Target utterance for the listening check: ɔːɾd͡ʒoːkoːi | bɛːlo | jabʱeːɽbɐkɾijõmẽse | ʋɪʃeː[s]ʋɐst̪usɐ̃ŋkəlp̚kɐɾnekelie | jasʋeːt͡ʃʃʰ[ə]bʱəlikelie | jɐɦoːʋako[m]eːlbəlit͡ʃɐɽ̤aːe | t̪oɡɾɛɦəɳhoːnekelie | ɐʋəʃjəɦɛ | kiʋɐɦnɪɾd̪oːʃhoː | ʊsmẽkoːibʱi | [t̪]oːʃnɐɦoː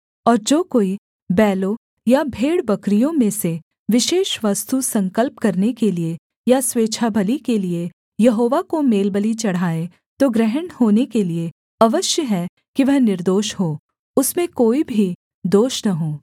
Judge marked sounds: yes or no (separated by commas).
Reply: no, no, yes, no